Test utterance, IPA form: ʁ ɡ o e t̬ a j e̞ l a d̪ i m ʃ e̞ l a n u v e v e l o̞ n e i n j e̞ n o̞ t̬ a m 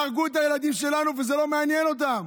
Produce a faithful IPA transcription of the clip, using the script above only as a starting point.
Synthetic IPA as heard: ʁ ɡ u e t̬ a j e̞ l a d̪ i m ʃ e̞ l a n u v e z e l o̞ m e a n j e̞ n o̞ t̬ a m